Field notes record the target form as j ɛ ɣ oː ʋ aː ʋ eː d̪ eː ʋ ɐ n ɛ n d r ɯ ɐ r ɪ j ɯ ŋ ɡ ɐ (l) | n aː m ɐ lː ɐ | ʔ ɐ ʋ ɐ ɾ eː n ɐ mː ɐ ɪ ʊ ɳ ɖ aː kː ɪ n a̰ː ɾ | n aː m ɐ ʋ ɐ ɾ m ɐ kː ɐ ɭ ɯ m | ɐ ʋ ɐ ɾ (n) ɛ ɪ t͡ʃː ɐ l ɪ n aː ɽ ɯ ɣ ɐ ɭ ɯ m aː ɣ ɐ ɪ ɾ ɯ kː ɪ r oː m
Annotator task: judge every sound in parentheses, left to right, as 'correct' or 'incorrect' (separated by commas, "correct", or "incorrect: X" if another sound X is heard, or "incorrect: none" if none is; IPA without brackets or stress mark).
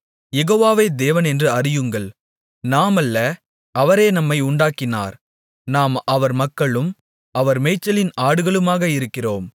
incorrect: ɭ, incorrect: m